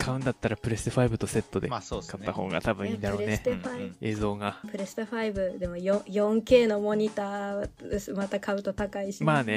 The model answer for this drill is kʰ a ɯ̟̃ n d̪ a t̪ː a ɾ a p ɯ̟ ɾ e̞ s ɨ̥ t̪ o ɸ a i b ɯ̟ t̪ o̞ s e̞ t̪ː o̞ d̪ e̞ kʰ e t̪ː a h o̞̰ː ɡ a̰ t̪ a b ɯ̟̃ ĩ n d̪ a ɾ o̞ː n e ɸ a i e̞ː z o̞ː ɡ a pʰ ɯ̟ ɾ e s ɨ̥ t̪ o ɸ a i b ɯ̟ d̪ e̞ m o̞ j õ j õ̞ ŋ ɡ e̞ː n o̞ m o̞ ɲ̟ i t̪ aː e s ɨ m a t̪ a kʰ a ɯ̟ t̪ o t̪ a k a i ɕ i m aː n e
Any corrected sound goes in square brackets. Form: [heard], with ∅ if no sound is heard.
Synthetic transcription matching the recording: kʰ a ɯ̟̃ n d̪ a t̪ː a ɾ a p ɯ̟ ɾ e̞ s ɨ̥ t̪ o ɸ a i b ɯ̟ t̪ o̞ s e̞ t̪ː o̞ d̪ e̞ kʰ [a] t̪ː a h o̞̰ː ɡ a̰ t̪ a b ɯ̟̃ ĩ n d̪ a ɾ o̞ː n e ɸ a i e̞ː z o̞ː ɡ a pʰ ɯ̟ ɾ e s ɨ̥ t̪ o ɸ a i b ɯ̟ d̪ e̞ m o̞ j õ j õ̞ ŋ [k] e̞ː n o̞ m o̞ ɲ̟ i t̪ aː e s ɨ m a t̪ a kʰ a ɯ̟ t̪ o t̪ a k a i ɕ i m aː n e